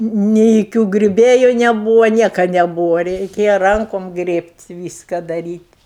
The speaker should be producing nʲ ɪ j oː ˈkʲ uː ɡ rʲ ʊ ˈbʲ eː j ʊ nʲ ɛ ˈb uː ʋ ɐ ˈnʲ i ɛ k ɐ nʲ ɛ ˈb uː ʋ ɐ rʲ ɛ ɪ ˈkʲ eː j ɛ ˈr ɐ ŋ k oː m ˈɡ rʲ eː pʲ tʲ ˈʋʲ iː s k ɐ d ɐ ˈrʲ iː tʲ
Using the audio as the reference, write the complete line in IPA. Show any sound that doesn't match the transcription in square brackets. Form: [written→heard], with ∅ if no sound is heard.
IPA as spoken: nʲ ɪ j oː ˈkʲ uː ɡ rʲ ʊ ˈbʲ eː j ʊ nʲ ɛ ˈb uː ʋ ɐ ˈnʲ i ɛ k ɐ nʲ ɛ ˈb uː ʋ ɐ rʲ ɛ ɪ ˈkʲ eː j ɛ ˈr ɐ ŋ k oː m ˈɡ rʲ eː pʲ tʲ ˈʋʲ iː s k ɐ d ɐ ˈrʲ iː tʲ

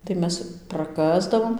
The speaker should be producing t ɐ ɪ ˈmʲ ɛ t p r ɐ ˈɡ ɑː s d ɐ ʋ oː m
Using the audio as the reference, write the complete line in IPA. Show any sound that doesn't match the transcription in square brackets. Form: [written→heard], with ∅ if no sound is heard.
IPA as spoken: t ɐ ɪ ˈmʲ ɛ [t→s] p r ɐ [ˈɡ→ˈk] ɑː [s→z] d ɐ ʋ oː m

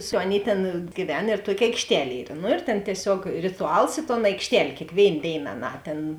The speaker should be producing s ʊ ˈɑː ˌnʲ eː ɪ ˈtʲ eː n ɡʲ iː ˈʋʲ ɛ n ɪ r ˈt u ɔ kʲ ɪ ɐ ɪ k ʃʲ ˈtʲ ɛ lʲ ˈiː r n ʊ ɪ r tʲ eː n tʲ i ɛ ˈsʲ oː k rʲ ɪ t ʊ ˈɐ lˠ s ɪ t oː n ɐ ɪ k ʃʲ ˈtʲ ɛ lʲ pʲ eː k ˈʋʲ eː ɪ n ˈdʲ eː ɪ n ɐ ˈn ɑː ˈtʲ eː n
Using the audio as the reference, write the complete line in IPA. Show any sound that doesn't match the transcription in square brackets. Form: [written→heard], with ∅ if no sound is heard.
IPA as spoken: s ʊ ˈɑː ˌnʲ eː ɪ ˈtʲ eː n ɡʲ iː ˈʋʲ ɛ n ɪ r ˈt u ɔ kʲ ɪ ɐ ɪ k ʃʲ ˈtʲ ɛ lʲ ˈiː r n ʊ ɪ r tʲ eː n tʲ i ɛ ˈsʲ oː k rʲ ɪ t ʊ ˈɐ lˠ s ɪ t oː n ɐ ɪ k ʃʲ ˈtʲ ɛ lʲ [pʲ→kʲ] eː k ˈʋʲ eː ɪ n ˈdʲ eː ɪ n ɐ ˈn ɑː ˈtʲ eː n

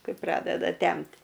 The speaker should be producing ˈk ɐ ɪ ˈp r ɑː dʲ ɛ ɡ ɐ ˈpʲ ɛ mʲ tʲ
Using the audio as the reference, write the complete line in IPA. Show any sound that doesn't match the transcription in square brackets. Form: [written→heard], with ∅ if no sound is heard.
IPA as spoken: ˈk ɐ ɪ ˈp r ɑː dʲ ɛ [ɡ→d] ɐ [ˈpʲ→ˈtʲ] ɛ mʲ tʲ

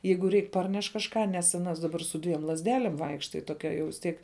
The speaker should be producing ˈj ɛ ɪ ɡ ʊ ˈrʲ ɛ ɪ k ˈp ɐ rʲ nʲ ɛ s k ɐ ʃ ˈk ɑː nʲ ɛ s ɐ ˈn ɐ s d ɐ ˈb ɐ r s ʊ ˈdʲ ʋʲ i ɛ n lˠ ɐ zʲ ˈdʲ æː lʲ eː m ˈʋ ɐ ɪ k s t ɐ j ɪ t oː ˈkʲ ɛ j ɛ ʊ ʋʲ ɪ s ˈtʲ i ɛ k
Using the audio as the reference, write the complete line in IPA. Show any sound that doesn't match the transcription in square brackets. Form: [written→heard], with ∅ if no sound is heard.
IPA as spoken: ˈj ɛ ɪ ɡ ʊ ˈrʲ ɛ ɪ k ˈp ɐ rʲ nʲ ɛ [s→ʃ] k ɐ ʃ ˈk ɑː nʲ ɛ s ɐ ˈn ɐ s d ɐ ˈb ɐ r s ʊ ˈdʲ ʋʲ i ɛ [n→m] lˠ ɐ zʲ ˈdʲ æː lʲ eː m ˈʋ ɐ ɪ k [s→ʃ] t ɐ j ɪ t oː ˈkʲ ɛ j ɛ ʊ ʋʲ ɪ s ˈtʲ i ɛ k

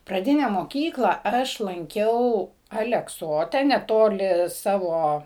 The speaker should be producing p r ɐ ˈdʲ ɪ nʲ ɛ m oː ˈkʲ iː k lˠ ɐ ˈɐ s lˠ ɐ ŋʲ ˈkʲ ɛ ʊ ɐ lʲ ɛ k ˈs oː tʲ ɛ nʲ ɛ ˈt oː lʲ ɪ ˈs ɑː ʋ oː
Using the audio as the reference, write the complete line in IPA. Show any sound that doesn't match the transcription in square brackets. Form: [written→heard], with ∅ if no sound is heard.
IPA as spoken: p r ɐ ˈdʲ ɪ nʲ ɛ m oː ˈkʲ iː k lˠ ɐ ˈɐ [s→ʃ] lˠ ɐ ŋʲ ˈkʲ ɛ ʊ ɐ lʲ ɛ k ˈs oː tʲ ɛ nʲ ɛ ˈt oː lʲ ɪ ˈs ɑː ʋ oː

